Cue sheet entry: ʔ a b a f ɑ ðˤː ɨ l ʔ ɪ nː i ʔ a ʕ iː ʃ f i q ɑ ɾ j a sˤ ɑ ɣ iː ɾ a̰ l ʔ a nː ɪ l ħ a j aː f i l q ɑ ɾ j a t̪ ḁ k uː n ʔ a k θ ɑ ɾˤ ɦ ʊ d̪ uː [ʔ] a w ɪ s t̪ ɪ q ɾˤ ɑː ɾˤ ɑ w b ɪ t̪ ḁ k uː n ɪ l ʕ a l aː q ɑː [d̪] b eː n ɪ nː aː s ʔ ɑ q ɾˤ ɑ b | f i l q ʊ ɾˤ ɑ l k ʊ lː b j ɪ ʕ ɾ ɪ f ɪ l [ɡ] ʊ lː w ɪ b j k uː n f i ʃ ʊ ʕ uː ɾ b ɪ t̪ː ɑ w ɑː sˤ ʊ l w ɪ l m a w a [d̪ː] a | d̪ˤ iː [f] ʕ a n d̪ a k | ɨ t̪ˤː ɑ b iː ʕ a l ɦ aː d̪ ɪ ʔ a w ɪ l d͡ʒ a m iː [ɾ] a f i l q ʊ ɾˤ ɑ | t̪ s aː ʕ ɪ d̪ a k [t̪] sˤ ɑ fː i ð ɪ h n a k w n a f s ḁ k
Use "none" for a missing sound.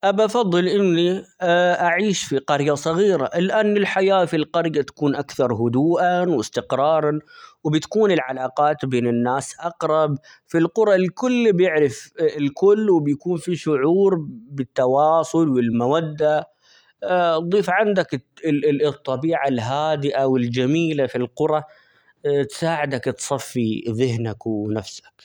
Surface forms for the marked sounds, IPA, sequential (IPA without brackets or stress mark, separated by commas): ʔ, t̪, k, d̪ː, f, l, t̪